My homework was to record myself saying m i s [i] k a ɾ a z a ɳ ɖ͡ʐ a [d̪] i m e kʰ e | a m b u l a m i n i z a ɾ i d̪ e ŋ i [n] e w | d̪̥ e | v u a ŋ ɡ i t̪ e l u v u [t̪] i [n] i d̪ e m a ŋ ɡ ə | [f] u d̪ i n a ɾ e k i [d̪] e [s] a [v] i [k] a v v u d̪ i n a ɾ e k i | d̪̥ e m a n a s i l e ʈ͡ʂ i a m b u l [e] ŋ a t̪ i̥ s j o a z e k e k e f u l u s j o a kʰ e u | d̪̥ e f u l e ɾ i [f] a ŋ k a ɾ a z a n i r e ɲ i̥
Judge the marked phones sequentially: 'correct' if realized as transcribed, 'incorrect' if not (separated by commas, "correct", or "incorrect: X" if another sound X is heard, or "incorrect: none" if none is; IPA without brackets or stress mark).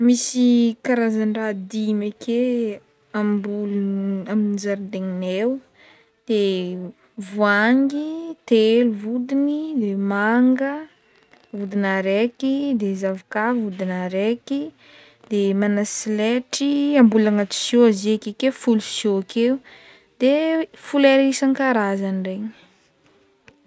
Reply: correct, correct, correct, incorrect: d̪, correct, incorrect: v, correct, incorrect: z, correct, correct, incorrect: a, incorrect: s